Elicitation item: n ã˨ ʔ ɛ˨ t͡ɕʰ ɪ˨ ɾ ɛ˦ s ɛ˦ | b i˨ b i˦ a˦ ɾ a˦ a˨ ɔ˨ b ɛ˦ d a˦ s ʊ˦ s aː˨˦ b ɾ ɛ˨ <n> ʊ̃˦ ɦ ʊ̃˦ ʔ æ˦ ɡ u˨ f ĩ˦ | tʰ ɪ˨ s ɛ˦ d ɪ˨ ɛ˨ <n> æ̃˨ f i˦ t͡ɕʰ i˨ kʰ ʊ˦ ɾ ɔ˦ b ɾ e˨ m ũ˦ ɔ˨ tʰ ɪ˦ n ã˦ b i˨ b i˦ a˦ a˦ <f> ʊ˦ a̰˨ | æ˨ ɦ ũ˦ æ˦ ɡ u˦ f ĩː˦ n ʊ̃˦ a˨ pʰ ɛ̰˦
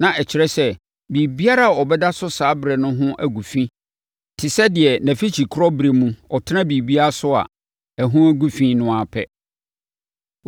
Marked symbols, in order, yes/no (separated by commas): yes, yes, no